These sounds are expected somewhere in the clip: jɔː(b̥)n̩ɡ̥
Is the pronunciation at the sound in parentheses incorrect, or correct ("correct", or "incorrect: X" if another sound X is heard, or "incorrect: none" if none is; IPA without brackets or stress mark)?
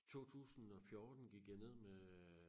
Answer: incorrect: d̥